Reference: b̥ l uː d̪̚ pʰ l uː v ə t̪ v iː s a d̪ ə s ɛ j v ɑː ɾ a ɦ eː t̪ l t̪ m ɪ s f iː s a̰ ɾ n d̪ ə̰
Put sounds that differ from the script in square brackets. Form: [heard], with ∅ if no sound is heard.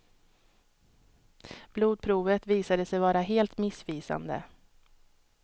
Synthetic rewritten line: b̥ l uː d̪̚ pʰ [ɾ] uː v ə t̪ v iː s a d̪ ə s ɛ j v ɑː ɾ a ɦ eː [∅] l t̪ m ɪ s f iː s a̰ [∅] n d̪ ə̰